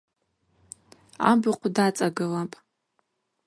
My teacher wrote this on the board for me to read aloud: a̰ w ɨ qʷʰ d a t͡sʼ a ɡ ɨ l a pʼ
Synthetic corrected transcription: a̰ b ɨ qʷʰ d a t͡sʼ a ɡ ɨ l a pʼ